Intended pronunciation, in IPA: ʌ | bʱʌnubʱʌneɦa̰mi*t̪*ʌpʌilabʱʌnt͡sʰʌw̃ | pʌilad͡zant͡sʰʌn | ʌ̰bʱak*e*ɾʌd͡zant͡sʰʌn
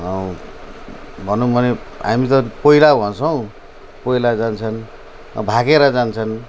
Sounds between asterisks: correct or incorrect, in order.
correct, correct

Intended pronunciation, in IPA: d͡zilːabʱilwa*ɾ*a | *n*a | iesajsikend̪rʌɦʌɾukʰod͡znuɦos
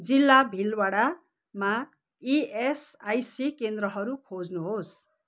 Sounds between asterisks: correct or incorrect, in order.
incorrect: ɽ, incorrect: m

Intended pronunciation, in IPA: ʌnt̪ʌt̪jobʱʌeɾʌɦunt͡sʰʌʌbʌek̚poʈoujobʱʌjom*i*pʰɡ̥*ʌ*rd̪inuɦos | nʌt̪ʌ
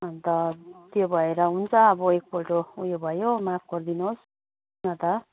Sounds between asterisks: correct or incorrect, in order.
incorrect: a, correct

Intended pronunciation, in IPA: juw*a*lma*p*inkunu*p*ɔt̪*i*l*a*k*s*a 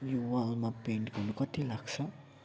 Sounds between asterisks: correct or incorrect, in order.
correct, correct, incorrect: k, correct, correct, correct

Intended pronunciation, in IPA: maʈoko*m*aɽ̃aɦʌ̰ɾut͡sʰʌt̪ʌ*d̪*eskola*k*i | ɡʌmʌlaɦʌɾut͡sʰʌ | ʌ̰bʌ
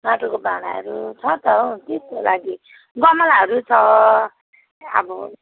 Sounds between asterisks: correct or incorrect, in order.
incorrect: b, incorrect: t̪, incorrect: ɡ

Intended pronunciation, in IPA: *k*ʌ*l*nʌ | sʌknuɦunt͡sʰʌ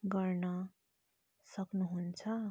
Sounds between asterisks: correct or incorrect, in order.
incorrect: ɡ, incorrect: r

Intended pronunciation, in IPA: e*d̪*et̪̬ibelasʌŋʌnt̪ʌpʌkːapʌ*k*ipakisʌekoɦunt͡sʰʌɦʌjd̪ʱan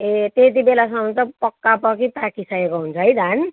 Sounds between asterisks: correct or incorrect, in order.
incorrect: t̪, correct

